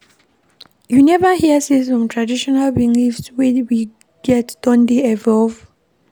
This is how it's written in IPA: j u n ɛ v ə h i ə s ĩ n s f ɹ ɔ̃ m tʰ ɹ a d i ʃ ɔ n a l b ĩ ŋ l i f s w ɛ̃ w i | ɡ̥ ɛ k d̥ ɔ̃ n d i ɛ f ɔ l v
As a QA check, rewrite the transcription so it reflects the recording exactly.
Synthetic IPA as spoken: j u n ɛ v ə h i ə s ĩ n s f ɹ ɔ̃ m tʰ ɹ a d i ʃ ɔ n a l b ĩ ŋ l i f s w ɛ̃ w i | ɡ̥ ɛ t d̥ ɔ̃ n d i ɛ v ɔ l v

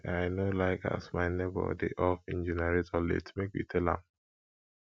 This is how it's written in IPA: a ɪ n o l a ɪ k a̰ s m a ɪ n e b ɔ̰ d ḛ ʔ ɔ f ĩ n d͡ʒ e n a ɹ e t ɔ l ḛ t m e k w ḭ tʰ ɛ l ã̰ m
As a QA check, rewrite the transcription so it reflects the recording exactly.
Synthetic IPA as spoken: a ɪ n o l a ɪ k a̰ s m a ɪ n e b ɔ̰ d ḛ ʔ ɔ f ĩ n d͡ʒ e n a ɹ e t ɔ l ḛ t m e k w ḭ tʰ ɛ l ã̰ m

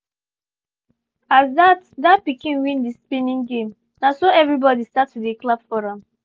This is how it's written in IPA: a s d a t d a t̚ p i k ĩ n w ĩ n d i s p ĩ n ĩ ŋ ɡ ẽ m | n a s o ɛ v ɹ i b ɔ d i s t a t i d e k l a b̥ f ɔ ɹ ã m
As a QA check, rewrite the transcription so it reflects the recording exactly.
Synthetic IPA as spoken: a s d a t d a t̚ p i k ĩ n w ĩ n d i s p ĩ n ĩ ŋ ɡ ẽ m | n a s o ɛ v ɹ i b ɔ d i s t a t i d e k l a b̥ f ɔ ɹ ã m

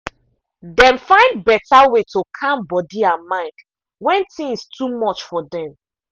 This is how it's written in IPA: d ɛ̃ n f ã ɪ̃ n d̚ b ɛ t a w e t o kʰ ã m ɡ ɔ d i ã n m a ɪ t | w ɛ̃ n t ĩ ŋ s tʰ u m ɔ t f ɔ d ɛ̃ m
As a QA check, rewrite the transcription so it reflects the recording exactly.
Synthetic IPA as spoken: d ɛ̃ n f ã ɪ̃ n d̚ b ɛ t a w e t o kʰ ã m b ɔ d i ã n m a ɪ k | w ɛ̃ n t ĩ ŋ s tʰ u m ɔ t͡ʃ f ɔ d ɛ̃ m

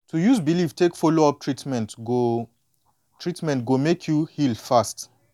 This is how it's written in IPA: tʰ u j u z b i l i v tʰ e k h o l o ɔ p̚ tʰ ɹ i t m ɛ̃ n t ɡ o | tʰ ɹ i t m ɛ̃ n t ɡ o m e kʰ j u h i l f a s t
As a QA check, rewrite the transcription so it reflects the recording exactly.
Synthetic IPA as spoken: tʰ u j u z b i l i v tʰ e k f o l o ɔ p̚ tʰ ɹ i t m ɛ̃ n t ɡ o | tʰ ɹ i t m ɛ̃ n t ɡ o m e kʰ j u h i l f a s t

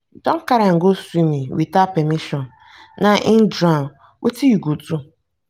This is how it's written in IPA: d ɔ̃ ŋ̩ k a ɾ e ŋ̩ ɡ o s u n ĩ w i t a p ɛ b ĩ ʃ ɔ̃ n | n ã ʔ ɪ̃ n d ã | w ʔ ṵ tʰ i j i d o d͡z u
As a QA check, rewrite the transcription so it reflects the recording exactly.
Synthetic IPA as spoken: d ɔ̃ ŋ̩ k a ɾ a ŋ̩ ɡ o s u n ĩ w i t a p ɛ m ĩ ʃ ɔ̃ n | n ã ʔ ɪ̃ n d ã | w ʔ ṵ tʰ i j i ɡ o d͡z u

